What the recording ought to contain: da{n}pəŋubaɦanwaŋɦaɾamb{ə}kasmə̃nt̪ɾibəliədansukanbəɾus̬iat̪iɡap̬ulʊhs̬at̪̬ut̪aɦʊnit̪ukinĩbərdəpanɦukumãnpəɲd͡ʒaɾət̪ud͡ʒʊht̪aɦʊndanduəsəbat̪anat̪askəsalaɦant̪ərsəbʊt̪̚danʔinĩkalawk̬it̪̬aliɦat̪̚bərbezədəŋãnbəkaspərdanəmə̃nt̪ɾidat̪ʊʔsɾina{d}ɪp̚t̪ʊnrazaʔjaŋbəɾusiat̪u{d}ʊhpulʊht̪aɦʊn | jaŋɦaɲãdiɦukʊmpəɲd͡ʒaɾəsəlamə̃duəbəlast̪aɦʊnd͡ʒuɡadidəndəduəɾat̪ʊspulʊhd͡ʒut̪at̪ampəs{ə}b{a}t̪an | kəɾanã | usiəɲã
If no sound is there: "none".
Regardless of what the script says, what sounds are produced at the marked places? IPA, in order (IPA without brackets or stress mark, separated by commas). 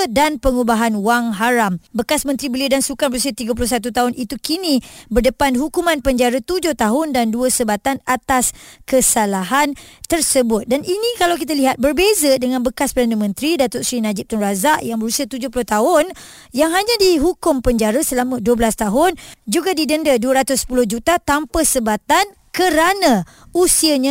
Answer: n, ə, d͡ʒ, d͡ʒ, ə, a